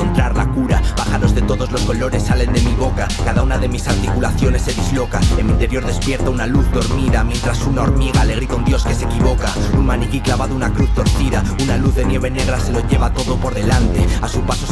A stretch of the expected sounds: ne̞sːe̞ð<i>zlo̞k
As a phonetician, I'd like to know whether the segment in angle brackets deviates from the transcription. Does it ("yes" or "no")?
no